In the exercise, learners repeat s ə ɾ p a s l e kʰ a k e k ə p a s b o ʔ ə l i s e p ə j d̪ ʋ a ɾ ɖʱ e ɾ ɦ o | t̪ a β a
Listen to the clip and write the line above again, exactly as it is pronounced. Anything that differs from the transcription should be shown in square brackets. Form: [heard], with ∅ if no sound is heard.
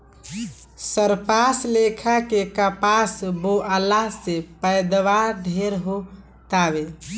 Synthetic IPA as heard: s ə ɾ p a s l e kʰ a k e k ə p a s b o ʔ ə l [a] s e p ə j d̪ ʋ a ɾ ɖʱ e ɾ ɦ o | t̪ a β [e]

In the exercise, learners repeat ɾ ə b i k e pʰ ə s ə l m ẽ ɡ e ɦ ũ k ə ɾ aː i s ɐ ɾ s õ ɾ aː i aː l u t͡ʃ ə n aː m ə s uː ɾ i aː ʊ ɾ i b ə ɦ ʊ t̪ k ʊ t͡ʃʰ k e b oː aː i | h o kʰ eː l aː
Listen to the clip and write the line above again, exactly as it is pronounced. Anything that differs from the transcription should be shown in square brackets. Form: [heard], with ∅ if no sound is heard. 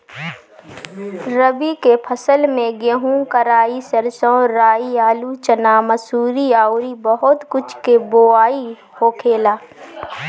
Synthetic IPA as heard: ɾ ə b i k e pʰ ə s ə l m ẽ ɡ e ɦ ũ k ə ɾ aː i s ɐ ɾ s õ ɾ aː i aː l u t͡ʃ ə n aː m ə s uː ɾ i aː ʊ ɾ i b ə ɦ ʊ t̪ k ʊ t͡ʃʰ k e b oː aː i | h o kʰ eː l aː

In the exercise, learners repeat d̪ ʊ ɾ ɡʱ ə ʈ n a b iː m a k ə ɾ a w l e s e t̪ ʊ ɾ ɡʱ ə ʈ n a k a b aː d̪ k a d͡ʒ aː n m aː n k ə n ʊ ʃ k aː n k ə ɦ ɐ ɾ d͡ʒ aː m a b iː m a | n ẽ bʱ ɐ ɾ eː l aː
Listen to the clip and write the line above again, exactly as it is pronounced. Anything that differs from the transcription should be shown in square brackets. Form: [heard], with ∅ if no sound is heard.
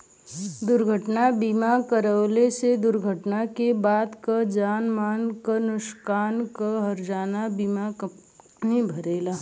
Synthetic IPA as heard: d̪ ʊ ɾ ɡʱ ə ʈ n a b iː m a k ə ɾ [ə] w l e s e [d̪] ʊ ɾ ɡʱ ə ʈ n a k [e] b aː d̪ k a d͡ʒ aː n m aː n k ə n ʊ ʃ k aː n k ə ɦ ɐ ɾ d͡ʒ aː [n] a b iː m a | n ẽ bʱ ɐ ɾ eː l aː

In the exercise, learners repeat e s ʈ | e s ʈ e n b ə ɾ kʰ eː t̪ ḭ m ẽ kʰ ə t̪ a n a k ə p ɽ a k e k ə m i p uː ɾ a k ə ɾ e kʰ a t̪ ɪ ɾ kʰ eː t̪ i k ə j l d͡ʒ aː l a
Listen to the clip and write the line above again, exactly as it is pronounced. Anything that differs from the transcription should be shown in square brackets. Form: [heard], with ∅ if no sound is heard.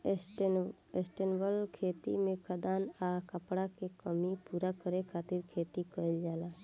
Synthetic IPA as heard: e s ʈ | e s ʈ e n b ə [l] kʰ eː t̪ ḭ m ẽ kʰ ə [d̪] a n a k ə p ɽ a k e k ə m i p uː ɾ a k ə ɾ e kʰ a t̪ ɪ ɾ kʰ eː t̪ i k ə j l d͡ʒ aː l a

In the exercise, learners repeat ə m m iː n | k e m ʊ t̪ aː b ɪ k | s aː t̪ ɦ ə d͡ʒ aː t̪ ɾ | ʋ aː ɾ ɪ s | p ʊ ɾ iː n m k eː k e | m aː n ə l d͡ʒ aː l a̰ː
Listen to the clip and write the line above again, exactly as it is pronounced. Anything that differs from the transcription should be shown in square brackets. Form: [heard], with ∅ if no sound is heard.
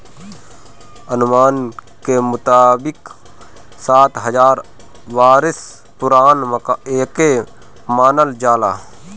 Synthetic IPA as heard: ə [n] m [aː] n | k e m ʊ t̪ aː b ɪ k | s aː t̪ ɦ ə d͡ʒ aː [∅] ɾ | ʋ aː ɾ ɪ s | p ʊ ɾ [aː] n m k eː k e | m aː n ə l d͡ʒ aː l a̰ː

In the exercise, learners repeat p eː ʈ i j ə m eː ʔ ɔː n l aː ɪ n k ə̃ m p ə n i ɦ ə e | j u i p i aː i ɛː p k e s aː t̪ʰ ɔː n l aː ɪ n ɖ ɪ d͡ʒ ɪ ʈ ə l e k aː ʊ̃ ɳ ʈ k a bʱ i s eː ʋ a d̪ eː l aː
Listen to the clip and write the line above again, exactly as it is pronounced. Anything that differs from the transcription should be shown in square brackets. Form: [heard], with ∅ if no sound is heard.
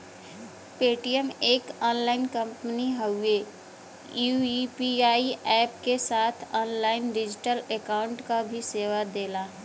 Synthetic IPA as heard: p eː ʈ i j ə m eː [k] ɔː n l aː ɪ n k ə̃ m p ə n i ɦ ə e | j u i p i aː i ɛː p k e s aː t̪ʰ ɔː n l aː ɪ n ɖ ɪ d͡ʒ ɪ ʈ ə l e k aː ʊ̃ ɳ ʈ k a bʱ i s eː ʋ a d̪ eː l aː

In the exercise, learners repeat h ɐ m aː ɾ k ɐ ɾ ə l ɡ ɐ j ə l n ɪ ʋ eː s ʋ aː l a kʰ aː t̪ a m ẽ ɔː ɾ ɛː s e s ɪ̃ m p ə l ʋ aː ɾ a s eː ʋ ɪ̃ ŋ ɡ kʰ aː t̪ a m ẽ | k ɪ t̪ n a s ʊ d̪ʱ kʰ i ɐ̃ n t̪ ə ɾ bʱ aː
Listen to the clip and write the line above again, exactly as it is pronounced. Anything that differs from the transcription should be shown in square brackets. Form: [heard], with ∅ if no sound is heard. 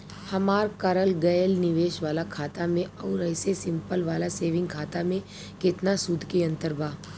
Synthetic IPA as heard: h ɐ m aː ɾ k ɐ ɾ ə l ɡ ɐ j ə l n ɪ ʋ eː [ʃ] ʋ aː l a kʰ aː t̪ a m ẽ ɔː ɾ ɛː s e s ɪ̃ m p ə l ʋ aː [l] a s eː ʋ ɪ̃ ŋ ɡ kʰ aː t̪ a m ẽ | k ɪ t̪ n a s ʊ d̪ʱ [k] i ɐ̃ n t̪ ə ɾ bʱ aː

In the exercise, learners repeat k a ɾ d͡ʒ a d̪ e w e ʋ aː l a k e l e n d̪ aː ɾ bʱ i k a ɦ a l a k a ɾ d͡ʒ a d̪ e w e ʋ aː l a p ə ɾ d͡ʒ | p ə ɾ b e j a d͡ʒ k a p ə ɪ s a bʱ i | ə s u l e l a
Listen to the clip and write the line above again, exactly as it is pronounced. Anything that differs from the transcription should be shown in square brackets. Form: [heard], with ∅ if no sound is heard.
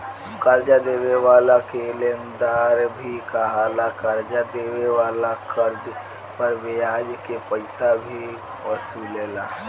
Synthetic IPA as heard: k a ɾ d͡ʒ a d̪ e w e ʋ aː l a k e l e n d̪ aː ɾ bʱ i k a ɦ a l a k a ɾ d͡ʒ a d̪ e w e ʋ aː l a [k] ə ɾ d͡ʒ | p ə ɾ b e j a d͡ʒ k [e] p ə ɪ s a bʱ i | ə s u l e l a

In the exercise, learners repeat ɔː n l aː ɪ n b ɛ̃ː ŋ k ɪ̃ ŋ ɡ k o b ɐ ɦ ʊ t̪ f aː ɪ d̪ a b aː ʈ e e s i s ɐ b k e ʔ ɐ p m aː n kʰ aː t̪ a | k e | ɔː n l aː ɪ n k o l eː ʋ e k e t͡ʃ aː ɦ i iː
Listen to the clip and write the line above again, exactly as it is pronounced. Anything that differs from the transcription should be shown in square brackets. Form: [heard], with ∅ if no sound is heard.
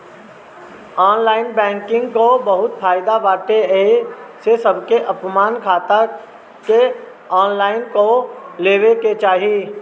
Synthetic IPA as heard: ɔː n l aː ɪ n b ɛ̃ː ŋ k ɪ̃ ŋ ɡ k o b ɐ ɦ ʊ t̪ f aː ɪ d̪ a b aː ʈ e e s [e] s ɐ b k e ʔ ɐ p m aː n kʰ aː t̪ a | k e | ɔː n l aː ɪ n k o l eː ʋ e k e t͡ʃ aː ɦ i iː

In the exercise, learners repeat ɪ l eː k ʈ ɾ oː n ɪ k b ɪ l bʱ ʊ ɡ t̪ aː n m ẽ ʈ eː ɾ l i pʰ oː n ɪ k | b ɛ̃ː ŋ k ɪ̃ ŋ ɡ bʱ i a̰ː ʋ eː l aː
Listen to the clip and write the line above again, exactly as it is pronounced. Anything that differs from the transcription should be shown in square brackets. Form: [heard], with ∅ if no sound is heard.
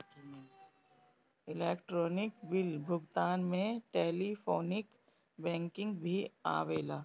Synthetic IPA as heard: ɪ l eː k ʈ ɾ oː n ɪ k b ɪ l bʱ ʊ ɡ t̪ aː n m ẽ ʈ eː [∅] l i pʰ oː n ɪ k | b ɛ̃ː ŋ k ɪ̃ ŋ ɡ bʱ i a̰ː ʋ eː l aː

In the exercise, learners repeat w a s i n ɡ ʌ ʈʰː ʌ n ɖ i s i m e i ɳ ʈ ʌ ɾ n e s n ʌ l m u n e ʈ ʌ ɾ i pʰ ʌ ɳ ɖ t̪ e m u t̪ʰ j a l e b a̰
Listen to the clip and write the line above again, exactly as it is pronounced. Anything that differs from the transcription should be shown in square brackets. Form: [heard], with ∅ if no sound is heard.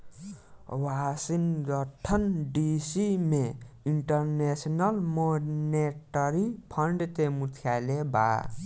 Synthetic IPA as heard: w a s i n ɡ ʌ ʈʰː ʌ n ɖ i s i m e i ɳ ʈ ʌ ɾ n e s n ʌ l m [o] n e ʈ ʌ ɾ i pʰ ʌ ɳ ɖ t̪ e m u t̪ʰ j a l e b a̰

